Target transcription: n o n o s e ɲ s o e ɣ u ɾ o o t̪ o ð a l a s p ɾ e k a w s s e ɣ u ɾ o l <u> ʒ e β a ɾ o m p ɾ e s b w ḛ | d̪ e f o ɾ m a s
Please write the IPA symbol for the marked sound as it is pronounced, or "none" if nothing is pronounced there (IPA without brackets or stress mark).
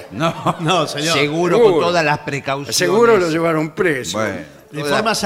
o